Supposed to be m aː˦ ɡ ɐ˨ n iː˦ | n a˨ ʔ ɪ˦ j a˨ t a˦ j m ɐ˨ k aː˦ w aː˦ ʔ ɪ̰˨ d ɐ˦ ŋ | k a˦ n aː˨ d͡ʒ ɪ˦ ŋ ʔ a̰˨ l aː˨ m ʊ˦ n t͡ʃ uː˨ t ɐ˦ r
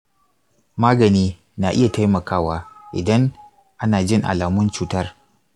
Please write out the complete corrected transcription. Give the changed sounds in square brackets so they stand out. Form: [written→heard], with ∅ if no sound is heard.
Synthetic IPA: m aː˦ ɡ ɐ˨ n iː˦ | n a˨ ʔ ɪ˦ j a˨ t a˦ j m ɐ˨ k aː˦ w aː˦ ʔ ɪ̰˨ d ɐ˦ ŋ | [k→ʔ] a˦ n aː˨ d͡ʒ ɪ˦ ŋ ʔ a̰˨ l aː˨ m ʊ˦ n t͡ʃ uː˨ t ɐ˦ r

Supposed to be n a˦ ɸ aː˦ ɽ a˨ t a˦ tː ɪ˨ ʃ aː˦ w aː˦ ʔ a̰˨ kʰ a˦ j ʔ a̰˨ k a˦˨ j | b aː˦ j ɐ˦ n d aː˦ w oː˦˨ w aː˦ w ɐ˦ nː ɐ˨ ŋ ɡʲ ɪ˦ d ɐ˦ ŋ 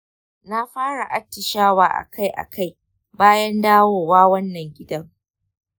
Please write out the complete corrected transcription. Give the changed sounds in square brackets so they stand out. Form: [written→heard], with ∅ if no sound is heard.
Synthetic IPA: n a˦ ɸ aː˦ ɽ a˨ [t→ʔ] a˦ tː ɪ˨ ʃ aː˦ w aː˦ ʔ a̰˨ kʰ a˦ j ʔ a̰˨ k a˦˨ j | b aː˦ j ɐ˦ n d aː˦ w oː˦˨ w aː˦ w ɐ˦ nː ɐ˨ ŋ ɡʲ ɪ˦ d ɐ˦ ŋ

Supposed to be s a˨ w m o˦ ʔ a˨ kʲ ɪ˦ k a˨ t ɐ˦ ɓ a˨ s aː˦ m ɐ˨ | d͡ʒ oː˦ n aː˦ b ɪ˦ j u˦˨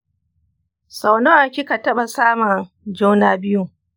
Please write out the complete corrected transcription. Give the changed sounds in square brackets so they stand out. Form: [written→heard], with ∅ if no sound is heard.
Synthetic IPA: s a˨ w [m→n] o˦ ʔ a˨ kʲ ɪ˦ k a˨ t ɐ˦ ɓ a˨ s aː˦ m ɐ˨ | d͡ʒ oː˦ n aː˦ b ɪ˦ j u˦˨

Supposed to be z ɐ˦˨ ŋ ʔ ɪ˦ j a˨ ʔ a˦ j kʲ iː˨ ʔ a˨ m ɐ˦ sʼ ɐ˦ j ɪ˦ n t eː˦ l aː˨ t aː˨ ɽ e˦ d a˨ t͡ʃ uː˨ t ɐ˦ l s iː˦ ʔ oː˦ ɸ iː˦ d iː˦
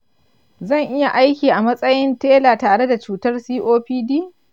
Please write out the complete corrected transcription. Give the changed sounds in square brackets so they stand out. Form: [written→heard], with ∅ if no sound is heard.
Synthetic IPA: z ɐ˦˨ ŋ ʔ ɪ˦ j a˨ ʔ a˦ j kʲ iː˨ ʔ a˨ m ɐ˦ sʼ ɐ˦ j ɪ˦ n t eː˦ l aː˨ t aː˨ ɽ e˦ d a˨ t͡ʃ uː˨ t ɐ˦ [l→r] s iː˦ ʔ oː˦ ɸ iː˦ d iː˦

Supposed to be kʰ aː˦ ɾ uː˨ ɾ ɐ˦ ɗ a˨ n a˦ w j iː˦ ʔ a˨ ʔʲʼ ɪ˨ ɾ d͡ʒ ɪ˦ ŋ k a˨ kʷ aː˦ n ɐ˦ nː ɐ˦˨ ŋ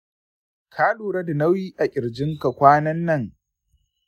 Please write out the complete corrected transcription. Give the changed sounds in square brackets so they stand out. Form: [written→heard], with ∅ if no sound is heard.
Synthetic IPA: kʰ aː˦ [ɾ→l] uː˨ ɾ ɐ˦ [ɗ→d] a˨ n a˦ w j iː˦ ʔ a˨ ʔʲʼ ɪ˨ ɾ d͡ʒ ɪ˦ ŋ k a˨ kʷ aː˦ n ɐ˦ nː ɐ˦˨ ŋ

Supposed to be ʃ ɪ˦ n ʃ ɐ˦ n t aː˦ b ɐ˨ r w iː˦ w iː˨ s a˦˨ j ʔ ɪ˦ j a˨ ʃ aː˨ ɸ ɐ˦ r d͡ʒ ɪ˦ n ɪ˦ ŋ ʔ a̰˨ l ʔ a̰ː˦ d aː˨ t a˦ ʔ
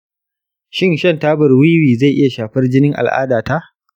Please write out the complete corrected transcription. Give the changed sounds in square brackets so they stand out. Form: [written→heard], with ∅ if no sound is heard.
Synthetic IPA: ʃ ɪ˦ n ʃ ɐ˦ n t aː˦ b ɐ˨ r w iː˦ w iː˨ [s→z] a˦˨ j ʔ ɪ˦ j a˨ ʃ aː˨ ɸ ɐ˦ r d͡ʒ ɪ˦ n ɪ˦ ŋ ʔ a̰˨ l ʔ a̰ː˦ d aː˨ t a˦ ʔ

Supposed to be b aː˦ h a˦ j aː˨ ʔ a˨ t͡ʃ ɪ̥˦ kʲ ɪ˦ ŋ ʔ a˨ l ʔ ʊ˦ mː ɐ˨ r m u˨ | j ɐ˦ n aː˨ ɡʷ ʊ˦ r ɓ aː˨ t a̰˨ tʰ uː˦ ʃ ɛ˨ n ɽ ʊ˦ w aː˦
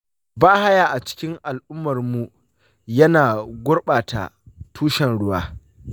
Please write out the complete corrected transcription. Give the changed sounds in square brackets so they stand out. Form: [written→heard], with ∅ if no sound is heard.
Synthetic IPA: b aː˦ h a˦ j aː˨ ʔ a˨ t͡ʃ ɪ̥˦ kʲ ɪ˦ ŋ ʔ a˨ l ʔ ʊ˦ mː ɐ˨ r m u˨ | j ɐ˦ n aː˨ ɡʷ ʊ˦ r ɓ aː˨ t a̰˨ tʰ uː˦ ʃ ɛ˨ n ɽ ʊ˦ w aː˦

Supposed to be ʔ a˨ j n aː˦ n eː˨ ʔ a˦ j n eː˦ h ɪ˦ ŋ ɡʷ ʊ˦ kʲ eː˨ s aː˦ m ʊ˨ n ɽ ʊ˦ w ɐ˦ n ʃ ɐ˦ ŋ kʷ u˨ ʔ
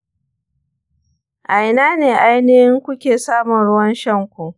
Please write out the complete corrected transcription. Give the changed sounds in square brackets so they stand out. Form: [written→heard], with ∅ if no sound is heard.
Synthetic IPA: ʔ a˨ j n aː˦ n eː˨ ʔ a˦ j n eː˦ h ɪ˦ ŋ [ɡʷ→kʷ] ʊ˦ kʲ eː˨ s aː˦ m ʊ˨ n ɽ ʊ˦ w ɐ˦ n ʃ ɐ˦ ŋ kʷ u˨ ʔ

